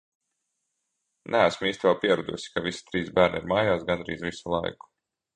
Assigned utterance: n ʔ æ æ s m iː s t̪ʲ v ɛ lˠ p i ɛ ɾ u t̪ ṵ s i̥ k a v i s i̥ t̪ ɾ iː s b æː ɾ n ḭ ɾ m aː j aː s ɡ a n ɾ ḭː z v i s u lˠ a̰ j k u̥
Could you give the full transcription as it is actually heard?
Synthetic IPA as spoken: n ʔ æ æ s m iː s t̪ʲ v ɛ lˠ p i ɛ ɾ u d̪ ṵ s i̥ k a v i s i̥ t̪ ɾ iː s b æː ɾ n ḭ ɾ m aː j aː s ɡ a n ɾ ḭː z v i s u lˠ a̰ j k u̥